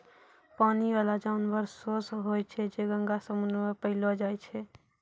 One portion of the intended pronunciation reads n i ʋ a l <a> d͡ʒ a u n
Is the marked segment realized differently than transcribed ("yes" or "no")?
no